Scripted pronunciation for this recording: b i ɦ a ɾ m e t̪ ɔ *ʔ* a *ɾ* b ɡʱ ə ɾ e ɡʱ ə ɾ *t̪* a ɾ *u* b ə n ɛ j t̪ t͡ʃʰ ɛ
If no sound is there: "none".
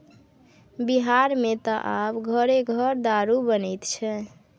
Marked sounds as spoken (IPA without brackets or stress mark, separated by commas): ʔ, none, d̪, u